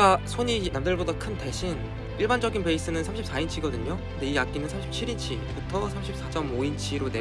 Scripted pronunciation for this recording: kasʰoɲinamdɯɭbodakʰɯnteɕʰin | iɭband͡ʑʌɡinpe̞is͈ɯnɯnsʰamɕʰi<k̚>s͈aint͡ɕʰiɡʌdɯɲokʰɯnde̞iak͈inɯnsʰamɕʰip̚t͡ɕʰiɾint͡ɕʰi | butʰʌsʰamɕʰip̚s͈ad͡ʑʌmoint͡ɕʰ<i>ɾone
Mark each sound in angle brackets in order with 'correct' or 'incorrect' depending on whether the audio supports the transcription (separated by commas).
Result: incorrect, correct